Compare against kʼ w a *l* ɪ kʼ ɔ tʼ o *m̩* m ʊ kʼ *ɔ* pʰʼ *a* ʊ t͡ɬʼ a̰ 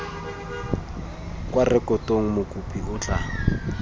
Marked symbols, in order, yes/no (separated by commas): no, no, no, no